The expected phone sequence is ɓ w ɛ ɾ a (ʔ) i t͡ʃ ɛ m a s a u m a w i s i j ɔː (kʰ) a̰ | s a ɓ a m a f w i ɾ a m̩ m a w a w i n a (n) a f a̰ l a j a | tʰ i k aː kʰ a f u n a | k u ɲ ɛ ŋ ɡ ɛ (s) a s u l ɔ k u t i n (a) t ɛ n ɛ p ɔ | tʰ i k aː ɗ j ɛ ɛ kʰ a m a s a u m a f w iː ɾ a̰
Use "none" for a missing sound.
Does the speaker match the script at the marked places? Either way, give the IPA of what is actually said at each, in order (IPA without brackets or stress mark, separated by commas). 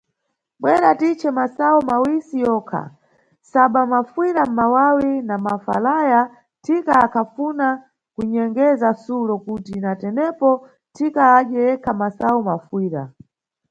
t, kʰ, m, z, a